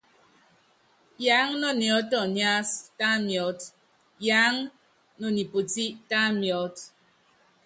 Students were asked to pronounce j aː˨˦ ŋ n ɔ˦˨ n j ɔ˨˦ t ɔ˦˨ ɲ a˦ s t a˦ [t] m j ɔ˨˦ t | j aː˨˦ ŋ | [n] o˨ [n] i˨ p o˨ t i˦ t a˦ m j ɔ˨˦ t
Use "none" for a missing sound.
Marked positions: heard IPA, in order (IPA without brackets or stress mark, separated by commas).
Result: none, n, n